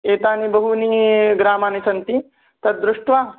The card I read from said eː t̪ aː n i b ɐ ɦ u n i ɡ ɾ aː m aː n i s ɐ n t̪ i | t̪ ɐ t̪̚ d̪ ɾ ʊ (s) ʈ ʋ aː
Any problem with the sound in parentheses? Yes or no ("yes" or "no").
yes